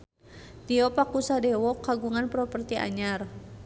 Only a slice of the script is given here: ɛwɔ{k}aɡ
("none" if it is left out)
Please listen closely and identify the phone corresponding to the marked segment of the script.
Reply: k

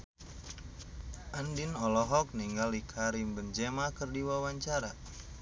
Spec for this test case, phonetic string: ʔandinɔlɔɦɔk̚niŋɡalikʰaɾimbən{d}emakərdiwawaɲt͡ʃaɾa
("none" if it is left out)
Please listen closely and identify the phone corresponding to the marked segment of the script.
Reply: d͡ʒ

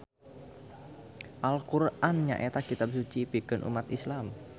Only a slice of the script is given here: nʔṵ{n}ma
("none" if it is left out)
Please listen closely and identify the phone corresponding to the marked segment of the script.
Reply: none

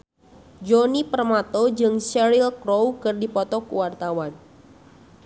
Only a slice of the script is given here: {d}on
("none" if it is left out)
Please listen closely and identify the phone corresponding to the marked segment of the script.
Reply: d͡ʒ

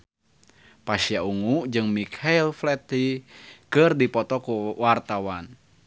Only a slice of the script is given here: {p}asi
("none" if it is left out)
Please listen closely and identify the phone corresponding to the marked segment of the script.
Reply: p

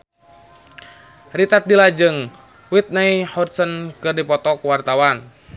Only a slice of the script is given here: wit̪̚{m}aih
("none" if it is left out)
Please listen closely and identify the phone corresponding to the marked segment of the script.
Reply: n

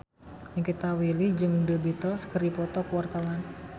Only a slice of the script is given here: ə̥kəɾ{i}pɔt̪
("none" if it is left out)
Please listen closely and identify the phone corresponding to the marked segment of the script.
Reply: i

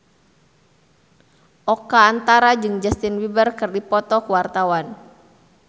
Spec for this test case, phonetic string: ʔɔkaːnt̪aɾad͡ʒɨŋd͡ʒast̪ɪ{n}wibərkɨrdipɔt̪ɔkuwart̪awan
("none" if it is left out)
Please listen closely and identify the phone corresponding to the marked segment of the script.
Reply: n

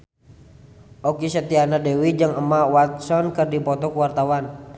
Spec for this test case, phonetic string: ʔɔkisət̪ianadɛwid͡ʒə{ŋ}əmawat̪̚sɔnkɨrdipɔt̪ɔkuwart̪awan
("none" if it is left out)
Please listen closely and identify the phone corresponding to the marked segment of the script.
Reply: ŋ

